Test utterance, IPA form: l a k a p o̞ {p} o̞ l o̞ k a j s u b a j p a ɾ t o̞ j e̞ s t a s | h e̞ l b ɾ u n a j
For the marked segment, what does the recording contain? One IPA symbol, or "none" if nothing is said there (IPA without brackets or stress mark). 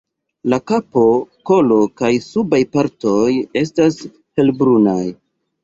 k